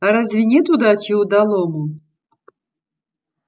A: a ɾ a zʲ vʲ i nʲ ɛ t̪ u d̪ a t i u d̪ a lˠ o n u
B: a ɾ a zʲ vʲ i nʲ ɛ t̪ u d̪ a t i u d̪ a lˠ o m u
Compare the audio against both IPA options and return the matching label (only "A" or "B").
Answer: B